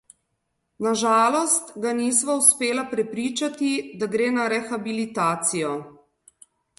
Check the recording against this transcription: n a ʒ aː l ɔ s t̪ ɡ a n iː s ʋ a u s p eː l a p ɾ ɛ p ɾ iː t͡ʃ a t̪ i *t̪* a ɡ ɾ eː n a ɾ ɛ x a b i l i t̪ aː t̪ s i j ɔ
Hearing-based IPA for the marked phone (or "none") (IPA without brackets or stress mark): d̪